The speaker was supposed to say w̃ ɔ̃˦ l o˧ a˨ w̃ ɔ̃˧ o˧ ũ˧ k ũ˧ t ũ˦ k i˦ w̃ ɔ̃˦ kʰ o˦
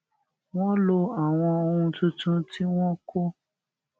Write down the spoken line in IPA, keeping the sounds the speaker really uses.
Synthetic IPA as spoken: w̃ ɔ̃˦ l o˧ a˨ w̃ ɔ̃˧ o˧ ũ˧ t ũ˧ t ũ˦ t i˦ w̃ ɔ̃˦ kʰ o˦